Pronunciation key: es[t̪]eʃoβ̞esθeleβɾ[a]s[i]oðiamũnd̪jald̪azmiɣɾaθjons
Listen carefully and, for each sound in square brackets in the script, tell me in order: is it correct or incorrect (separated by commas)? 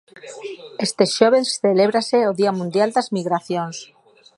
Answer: correct, correct, incorrect